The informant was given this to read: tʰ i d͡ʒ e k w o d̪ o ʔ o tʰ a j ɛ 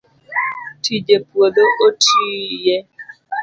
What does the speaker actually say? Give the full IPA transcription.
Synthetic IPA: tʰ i d͡ʒ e p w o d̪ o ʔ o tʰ i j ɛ